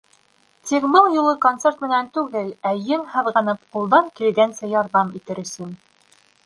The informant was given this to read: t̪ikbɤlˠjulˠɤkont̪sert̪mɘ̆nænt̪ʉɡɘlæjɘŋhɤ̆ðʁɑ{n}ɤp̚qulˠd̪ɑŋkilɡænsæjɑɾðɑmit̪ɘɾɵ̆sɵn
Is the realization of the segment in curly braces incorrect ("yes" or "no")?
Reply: no